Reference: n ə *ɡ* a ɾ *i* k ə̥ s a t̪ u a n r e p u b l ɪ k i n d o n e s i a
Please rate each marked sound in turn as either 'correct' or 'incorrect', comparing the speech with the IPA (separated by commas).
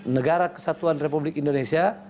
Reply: correct, incorrect